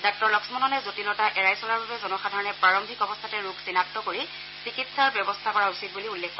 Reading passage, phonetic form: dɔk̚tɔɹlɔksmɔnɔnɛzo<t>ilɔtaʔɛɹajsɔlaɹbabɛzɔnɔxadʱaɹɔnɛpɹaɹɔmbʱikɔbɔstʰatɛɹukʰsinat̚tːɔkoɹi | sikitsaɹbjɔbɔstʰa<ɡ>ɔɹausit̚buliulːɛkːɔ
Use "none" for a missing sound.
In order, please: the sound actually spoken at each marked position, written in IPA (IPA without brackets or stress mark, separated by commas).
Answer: t, k